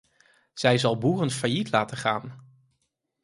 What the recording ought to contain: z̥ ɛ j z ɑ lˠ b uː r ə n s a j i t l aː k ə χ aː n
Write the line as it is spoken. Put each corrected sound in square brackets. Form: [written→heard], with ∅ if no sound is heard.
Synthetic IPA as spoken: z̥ ɛ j z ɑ lˠ b uː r ə n [s→f] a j i t l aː [k→t] ə χ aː n